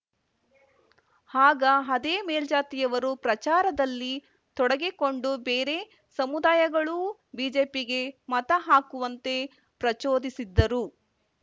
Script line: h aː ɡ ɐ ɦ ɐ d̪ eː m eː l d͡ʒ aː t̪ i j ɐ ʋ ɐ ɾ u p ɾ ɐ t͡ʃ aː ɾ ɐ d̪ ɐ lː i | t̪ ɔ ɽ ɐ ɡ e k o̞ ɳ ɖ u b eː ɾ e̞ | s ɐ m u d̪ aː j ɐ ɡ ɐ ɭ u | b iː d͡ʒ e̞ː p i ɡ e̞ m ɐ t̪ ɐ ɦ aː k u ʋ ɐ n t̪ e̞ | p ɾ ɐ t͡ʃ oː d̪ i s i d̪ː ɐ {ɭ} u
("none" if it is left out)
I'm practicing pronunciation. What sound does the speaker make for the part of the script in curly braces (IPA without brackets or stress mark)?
ɾ